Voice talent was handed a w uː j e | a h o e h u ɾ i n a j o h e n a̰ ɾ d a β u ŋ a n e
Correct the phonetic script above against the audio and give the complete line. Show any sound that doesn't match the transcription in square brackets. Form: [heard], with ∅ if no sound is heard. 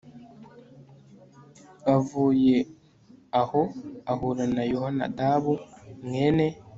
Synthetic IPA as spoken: a [v] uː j e | a h o [a] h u ɾ [a] n a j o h [a] n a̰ [∅] d a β u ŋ [e] n e